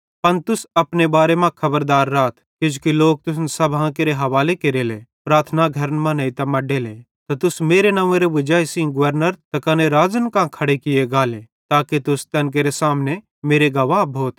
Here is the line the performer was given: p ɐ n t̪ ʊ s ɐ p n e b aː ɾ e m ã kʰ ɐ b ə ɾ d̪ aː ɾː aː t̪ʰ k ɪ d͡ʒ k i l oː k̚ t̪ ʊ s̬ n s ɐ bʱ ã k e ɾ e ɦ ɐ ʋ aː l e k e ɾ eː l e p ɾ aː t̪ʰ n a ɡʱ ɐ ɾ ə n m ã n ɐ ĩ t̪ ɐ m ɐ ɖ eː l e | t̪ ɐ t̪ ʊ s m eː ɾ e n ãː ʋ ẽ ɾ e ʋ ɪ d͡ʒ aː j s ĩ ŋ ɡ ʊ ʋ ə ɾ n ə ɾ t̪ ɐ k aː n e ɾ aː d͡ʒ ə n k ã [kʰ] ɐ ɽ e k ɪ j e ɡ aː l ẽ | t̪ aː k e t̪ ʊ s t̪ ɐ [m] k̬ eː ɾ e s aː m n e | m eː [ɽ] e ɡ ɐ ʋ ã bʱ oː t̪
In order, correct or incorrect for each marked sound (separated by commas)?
correct, incorrect, incorrect